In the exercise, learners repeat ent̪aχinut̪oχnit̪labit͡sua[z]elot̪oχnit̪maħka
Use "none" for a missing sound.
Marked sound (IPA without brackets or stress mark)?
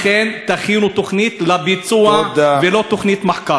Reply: v